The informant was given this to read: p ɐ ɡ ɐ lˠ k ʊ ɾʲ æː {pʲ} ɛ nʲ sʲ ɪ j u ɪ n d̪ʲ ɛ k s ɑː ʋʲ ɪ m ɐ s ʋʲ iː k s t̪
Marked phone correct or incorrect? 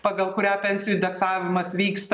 correct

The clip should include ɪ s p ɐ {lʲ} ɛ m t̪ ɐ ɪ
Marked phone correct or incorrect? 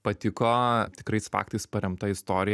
incorrect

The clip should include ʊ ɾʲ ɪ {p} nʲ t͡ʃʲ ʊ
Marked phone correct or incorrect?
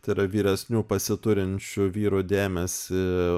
incorrect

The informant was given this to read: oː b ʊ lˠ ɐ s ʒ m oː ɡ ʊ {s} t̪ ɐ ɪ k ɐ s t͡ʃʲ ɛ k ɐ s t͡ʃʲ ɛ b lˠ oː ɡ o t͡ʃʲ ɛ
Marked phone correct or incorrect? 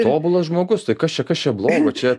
correct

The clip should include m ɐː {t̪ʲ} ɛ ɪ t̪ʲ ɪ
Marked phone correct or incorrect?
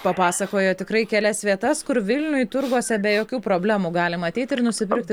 correct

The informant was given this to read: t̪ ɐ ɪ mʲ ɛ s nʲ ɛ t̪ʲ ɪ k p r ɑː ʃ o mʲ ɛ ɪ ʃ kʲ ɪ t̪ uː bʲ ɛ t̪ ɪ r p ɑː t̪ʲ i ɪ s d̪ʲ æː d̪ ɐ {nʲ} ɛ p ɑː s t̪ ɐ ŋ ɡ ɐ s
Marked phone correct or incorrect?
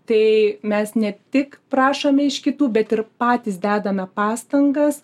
incorrect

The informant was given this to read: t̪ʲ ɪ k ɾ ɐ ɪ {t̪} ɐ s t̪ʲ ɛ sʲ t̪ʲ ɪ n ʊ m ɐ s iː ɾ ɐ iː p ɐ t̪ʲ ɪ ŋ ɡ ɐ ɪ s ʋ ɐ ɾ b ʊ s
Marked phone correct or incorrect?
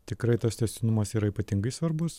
correct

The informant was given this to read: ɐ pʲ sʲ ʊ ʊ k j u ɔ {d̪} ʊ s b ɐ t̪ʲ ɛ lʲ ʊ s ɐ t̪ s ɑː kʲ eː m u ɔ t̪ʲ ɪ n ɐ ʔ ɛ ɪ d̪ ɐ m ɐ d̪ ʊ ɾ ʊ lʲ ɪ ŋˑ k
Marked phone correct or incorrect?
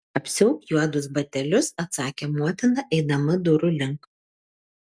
correct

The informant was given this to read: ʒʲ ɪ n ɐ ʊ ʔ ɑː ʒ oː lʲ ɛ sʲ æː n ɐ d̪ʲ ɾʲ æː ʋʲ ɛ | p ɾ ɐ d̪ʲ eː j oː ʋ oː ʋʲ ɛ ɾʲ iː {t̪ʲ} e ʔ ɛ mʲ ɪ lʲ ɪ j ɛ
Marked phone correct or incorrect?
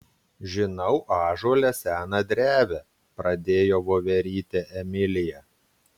correct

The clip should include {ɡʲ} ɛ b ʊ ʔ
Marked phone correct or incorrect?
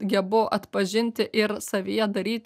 correct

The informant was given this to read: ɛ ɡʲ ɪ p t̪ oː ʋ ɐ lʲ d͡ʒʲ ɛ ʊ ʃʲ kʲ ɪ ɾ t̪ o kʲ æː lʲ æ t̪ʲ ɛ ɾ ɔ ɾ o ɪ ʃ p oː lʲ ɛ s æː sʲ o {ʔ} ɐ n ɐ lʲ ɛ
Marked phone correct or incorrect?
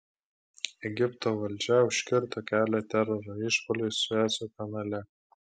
incorrect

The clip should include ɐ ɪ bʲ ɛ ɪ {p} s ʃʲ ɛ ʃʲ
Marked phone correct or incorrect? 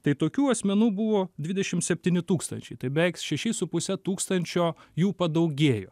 incorrect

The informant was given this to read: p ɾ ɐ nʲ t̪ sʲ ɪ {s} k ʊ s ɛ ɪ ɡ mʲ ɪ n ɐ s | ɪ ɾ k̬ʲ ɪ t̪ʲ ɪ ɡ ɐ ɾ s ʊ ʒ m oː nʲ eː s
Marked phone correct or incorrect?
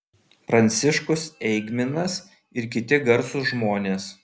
incorrect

